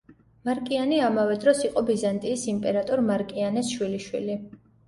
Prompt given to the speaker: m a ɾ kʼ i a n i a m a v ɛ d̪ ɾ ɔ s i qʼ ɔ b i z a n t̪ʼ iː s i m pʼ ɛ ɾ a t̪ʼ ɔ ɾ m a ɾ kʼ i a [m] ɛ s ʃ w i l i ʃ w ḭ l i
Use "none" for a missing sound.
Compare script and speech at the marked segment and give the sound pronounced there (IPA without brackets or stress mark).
n